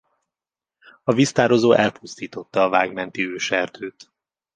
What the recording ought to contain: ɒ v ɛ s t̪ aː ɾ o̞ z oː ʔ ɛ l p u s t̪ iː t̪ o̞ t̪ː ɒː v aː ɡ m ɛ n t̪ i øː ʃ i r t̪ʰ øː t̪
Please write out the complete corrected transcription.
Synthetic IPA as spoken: ɒ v i s t̪ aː ɾ o̞ z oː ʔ ɛ l p u s t̪ iː t̪ o̞ t̪ː ɒː v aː ɡ m ɛ n t̪ i øː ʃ ɛ r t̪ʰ øː t̪